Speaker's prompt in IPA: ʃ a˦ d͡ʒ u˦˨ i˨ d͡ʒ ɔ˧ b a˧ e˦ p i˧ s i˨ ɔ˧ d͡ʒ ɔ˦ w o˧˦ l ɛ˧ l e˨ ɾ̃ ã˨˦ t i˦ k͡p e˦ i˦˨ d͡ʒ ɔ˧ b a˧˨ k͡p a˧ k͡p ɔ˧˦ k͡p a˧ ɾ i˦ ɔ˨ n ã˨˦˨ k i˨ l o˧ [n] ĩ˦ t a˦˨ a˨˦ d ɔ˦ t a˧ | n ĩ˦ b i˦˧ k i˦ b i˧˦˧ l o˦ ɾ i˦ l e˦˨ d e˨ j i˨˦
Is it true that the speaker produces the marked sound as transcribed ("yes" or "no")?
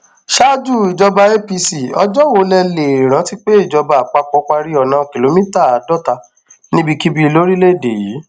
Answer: no